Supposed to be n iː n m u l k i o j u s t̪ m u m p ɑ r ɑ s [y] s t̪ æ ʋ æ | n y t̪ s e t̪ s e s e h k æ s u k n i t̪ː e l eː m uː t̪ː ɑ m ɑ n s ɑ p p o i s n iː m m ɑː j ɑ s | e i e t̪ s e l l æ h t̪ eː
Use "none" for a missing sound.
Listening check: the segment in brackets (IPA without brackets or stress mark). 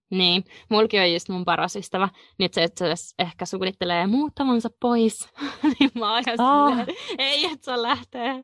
y